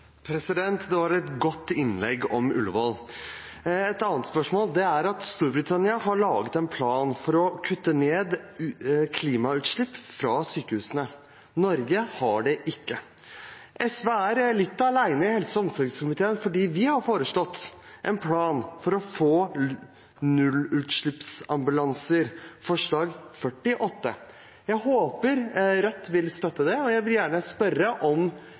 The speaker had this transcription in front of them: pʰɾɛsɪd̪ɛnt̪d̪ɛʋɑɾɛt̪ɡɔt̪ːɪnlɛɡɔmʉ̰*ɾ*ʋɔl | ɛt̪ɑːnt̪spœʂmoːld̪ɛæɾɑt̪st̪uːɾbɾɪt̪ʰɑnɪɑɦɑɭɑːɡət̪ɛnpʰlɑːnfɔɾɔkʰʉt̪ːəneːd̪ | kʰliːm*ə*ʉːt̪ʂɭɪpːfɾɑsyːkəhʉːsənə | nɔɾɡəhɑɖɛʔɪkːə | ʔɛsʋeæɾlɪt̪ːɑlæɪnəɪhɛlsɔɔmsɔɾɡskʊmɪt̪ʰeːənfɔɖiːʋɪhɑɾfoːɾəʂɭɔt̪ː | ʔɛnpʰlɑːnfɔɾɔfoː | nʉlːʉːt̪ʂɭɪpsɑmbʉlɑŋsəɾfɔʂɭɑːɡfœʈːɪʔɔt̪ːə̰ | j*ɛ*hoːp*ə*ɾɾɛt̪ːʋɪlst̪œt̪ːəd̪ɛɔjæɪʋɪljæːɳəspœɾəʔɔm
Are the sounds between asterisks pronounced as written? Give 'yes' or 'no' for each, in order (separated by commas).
no, no, no, yes